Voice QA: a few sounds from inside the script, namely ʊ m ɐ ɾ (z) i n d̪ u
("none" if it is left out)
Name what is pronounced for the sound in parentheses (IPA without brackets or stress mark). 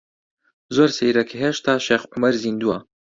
z